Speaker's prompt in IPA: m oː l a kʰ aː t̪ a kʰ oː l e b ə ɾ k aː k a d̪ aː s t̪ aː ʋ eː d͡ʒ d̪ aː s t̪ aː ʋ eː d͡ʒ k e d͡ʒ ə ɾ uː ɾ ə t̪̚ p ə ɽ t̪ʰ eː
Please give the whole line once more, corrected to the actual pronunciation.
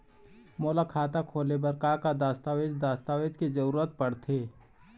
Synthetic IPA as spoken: m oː l a kʰ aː t̪ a kʰ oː l e b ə ɾ k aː k a d̪ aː s t̪ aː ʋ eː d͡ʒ d̪ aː s t̪ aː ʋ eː d͡ʒ k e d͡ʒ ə ɾ uː ɾ ə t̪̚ p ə ɽ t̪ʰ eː